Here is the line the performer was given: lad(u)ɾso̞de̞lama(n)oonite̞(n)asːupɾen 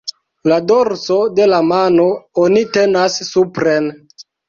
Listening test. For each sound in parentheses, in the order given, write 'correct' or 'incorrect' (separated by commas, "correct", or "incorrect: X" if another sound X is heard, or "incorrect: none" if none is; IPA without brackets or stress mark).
incorrect: o, correct, correct